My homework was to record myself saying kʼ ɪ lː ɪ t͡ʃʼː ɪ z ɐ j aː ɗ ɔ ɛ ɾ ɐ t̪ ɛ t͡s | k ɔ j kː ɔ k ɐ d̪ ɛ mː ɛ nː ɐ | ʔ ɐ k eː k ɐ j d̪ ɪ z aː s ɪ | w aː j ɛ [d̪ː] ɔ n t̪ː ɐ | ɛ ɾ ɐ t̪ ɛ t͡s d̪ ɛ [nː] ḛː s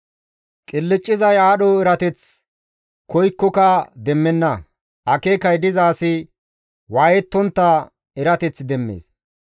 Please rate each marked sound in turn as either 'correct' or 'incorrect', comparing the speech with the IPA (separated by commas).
incorrect, incorrect